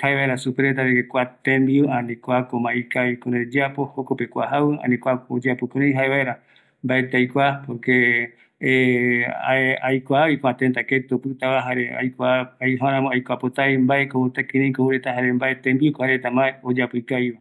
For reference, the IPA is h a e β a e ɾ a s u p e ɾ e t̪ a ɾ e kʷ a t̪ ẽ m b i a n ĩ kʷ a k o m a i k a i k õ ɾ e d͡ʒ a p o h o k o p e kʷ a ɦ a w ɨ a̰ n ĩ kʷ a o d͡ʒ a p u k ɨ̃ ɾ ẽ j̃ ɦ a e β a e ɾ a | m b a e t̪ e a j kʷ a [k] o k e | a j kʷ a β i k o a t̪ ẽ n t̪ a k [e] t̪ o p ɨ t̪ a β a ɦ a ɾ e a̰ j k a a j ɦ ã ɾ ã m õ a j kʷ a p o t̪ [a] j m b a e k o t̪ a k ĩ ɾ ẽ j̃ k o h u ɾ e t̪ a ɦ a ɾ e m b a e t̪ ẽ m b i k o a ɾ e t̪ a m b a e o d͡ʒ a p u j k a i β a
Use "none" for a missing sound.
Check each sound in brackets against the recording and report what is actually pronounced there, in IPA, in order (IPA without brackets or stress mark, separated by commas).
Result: p, e, a